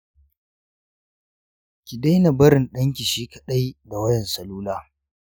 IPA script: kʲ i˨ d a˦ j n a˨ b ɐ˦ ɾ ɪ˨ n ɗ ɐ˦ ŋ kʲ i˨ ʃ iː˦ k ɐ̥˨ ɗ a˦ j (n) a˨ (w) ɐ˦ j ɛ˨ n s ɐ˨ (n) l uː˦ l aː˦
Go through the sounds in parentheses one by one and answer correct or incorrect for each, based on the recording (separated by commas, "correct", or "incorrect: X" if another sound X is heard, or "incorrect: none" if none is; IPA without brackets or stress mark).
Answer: incorrect: d, correct, incorrect: none